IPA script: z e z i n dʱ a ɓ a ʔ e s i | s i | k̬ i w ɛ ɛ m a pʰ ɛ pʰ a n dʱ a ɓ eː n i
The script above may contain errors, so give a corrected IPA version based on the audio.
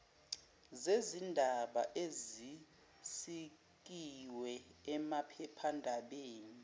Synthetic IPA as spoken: z e z i n dʱ a ɓ a ʔ e z i | s i | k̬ i w ɛ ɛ m a pʰ ɛ pʰ a n dʱ a ɓ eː n i